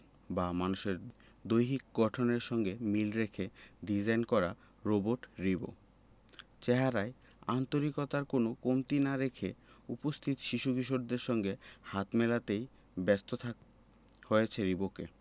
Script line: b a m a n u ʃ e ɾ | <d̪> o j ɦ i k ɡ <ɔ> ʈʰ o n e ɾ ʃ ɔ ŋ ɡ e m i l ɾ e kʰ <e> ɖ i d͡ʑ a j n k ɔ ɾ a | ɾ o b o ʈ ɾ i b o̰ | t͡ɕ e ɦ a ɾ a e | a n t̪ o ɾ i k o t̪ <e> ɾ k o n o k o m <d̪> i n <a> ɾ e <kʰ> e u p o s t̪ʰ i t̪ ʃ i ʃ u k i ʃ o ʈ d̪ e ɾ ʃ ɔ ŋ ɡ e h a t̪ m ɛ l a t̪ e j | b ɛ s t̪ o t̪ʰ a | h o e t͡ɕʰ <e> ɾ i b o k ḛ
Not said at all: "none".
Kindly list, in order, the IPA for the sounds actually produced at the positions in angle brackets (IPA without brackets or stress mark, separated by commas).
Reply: d̪, ɔ, e, a, t̪, a, kʰ, e